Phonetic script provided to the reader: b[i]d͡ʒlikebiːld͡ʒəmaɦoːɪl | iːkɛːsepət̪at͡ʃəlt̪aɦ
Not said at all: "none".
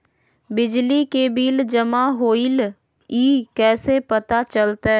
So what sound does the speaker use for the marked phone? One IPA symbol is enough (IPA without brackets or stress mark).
ɪ